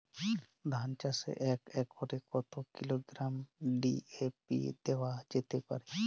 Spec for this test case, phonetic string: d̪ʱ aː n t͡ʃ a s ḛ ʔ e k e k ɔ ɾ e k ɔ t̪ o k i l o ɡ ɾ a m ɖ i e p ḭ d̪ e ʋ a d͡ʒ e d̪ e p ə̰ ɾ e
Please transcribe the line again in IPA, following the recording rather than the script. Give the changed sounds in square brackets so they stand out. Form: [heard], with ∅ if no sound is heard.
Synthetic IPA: d̪ʱ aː n t͡ʃ a s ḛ ʔ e k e k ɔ ɾ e k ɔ t̪ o k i l o ɡ ɾ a m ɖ i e p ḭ d̪ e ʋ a d͡ʒ e [t̪] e p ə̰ ɾ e